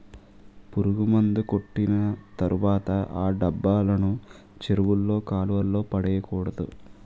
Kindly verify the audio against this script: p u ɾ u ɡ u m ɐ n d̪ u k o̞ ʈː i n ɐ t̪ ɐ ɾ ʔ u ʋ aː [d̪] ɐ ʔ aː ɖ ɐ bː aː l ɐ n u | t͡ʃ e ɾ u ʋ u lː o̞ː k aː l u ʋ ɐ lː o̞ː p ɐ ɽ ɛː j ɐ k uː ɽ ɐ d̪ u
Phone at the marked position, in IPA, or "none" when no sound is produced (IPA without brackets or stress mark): t̪